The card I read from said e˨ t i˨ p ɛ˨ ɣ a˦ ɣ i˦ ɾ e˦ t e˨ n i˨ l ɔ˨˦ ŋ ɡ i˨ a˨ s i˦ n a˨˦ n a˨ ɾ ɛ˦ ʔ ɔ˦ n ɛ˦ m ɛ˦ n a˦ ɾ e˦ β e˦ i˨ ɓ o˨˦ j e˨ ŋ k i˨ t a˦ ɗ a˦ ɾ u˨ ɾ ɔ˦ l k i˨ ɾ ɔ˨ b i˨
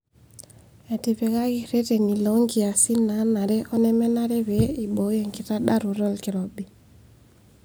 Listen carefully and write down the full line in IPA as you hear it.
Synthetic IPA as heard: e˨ t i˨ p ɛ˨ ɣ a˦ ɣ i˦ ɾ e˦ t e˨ n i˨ l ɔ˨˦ ŋ ɡ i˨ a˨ s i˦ n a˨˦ n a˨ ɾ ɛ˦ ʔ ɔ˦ n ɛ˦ m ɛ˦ n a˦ ɾ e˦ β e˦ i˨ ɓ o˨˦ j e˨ ŋ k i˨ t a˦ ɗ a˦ ɾ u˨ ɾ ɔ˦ l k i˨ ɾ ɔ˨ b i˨